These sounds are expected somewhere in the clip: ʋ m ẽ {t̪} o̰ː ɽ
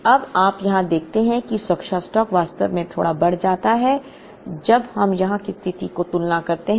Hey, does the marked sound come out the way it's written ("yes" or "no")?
no